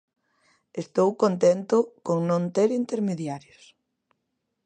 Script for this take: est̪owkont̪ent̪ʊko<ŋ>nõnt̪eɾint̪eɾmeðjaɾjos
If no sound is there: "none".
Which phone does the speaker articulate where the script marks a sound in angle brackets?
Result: ŋ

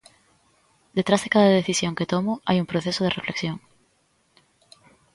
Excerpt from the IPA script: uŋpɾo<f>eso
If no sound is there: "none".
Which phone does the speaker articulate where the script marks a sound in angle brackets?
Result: θ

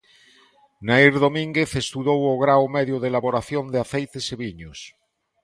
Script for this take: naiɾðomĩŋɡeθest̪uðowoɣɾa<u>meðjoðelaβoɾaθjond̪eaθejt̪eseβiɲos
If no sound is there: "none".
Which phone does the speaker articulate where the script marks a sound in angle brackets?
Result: w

